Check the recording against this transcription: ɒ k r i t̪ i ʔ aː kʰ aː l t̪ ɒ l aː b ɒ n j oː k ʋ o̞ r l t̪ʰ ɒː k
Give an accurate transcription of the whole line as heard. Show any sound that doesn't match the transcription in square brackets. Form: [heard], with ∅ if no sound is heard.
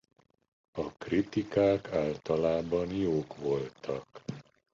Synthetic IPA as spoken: ɒ k r i t̪ i [k] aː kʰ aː l t̪ ɒ l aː b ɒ n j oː k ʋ o̞ [∅] l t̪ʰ [ɒ] k